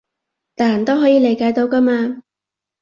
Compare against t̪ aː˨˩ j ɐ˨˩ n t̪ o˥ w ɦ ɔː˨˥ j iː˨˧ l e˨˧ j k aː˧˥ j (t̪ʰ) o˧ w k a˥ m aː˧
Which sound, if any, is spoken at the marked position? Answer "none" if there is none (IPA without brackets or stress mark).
t̪